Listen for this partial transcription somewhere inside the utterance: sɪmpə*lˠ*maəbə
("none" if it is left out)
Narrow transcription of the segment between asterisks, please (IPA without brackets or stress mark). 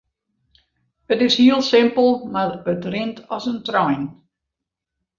lˠ